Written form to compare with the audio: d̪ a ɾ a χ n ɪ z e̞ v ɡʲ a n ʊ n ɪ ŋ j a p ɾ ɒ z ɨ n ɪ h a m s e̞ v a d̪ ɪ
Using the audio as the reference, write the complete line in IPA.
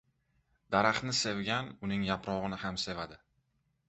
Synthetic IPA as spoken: d̪ a ɾ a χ n ɪ s e̞ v ɡʲ a n ʊ n ɪ ŋ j a p ɾ ɒ ʁ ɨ n ɪ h a m s e̞ v a d̪ ɪ

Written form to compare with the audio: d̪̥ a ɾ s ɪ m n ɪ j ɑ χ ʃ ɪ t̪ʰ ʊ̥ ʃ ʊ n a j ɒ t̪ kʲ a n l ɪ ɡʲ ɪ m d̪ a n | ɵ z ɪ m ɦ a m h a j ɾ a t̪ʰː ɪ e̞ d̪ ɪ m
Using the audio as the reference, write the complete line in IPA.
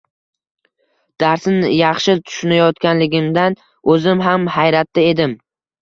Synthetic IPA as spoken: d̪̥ a ɾ s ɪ n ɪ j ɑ χ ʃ ɪ t̪ʰ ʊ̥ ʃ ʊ n a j ɒ t̪ kʲ a n l ɪ ɡʲ ɪ m d̪ a n | ɵ z ɪ m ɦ a m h a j ɾ a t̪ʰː ɪ e̞ d̪ ɪ m

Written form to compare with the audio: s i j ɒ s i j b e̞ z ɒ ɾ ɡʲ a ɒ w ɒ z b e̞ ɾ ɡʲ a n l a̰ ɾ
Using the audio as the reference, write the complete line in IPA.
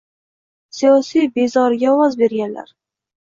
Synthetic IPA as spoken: s i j ɒ s i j b e̞ z ɒ ɾ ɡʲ a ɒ w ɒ z b e̞ ɾ ɡʲ a n l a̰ ɾ

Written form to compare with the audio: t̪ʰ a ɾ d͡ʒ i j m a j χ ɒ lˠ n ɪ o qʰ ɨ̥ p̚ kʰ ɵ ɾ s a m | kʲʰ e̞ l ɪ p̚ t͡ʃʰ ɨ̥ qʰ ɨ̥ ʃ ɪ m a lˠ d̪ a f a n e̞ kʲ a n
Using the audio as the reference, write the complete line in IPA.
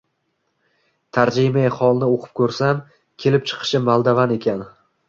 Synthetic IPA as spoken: t̪ʰ a ɾ d͡ʒ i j m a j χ ɒ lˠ n ɪ o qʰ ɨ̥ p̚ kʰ ɵ ɾ s a m | kʲʰ e̞ l ɪ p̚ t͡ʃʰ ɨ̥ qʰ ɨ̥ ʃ ɪ m a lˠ d̪ a v a n e̞ kʲ a n

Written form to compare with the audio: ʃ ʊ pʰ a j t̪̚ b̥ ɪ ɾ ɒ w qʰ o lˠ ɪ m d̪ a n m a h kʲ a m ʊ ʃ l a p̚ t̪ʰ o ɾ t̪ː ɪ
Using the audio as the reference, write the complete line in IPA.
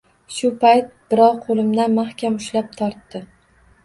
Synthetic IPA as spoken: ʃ ʊ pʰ a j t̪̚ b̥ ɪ ɾ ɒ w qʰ o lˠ ɪ m d̪ a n m a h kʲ a m ʊ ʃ l a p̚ t̪ʰ ɒ ɾ t̪ː ɪ

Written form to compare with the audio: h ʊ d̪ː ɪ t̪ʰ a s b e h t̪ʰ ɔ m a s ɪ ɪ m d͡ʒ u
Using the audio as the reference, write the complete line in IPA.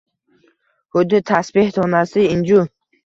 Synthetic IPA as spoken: h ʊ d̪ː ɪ t̪ʰ a s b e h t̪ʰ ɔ n a s ɪ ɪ n d͡ʒ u

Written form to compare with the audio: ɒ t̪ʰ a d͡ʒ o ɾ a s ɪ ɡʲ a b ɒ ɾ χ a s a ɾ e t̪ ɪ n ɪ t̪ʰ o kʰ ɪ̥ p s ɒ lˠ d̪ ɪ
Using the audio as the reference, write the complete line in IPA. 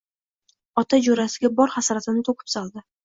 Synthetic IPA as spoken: ɒ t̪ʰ a d͡ʒ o ɾ a s ɪ ɡʲ a b ɒ ɾ χ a s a ɾ a t̪ ɪ n ɪ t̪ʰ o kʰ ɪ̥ p s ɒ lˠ d̪ ɪ

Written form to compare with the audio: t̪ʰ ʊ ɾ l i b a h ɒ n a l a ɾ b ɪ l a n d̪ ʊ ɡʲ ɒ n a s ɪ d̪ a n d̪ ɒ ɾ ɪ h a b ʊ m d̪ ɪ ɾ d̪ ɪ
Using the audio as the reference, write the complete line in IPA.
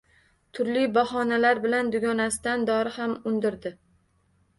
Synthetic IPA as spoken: t̪ʰ ʊ ɾ l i b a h ɒ n a l a ɾ b ɪ l a n d̪ ʊ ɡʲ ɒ n a s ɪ d̪ a n d̪ ɒ ɾ ɪ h a m ʊ n d̪ ɪ ɾ d̪ ɪ

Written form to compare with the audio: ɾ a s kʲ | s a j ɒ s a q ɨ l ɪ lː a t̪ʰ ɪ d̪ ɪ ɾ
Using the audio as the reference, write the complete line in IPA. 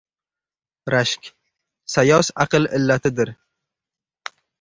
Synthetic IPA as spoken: ɾ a ʃ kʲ | s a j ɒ s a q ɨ l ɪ lː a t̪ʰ ɪ d̪ ɪ ɾ

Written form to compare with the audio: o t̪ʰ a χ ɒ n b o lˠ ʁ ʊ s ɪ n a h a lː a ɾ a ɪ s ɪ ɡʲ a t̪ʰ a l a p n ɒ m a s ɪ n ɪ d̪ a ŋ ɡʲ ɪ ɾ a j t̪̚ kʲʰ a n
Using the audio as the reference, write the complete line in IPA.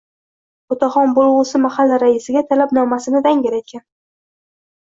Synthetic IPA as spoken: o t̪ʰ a χ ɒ n b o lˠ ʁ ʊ s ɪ m a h a lː a ɾ a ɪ s ɪ ɡʲ a t̪ʰ a l a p n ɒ m a s ɪ n ɪ d̪ a ŋ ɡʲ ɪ ɾ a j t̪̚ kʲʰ a n

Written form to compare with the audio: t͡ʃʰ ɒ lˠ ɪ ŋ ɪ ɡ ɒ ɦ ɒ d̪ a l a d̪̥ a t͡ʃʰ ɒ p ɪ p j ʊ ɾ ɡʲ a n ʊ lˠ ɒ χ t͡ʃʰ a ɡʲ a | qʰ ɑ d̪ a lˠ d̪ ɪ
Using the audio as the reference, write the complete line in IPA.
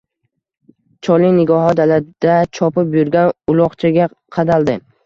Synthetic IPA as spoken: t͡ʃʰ ɒ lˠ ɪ n ɪ ɡ ɒ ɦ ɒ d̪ a l a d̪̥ a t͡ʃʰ ɒ p ɪ p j ʊ ɾ ɡʲ a n ʊ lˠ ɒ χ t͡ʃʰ a ɡʲ a | qʰ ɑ d̪ a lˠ d̪ ɪ

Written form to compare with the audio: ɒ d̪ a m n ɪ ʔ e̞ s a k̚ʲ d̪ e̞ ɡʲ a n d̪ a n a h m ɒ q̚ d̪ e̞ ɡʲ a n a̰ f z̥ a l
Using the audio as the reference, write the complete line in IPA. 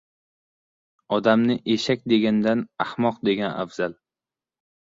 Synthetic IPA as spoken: ɒ d̪ a m n ɪ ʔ e̞ ʃ a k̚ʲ d̪ e̞ ɡʲ a n d̪ a n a h m ɒ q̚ d̪ e̞ ɡʲ a n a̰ f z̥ a l

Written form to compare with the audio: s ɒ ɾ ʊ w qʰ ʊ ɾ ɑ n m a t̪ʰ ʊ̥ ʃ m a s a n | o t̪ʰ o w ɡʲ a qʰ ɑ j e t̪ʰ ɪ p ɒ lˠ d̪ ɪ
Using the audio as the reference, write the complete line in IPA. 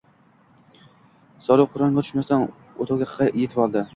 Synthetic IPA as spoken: s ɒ ɾ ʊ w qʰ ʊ ɾ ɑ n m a t̪ʰ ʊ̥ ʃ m a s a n | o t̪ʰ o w ɡʲ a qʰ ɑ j e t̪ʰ ɪ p ɒ lˠ d̪ ɪ

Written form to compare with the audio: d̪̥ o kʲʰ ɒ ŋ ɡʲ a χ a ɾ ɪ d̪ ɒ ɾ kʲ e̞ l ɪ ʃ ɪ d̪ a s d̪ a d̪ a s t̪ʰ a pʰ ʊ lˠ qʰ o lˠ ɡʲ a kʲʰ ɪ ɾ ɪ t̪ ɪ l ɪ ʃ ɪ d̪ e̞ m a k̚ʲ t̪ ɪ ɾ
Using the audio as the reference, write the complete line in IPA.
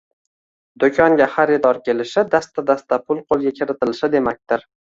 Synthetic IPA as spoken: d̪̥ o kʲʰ ɒ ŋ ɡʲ a χ a ɾ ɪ d̪ ɒ ɾ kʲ e̞ l ɪ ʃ ɪ d̪ a s t̪ a d̪ a s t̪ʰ a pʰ ʊ lˠ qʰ o lˠ ɡʲ a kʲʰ ɪ ɾ ɪ t̪ ɪ l ɪ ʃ ɪ d̪ e̞ m a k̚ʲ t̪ ɪ ɾ

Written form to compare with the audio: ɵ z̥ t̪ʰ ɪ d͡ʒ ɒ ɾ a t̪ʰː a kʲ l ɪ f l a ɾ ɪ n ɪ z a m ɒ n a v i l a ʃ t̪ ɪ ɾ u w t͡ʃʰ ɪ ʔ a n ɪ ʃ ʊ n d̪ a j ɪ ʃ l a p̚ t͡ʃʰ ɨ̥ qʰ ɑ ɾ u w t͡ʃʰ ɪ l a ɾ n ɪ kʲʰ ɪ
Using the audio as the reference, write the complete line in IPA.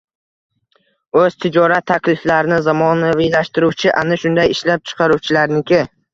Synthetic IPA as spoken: ɵ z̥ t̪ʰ ɪ d͡ʒ ɒ ɾ a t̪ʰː a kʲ l ɪ f l a ɾ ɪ n ɪ z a m ɒ n a v i l a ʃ t̪ ɪ ɾ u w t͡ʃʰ ɪ ʔ a n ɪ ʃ ʊ n d̪ a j ɪ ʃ l a p̚ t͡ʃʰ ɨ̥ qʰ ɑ ɾ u w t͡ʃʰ ɪ l a ɾ n ɪ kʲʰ ɪ

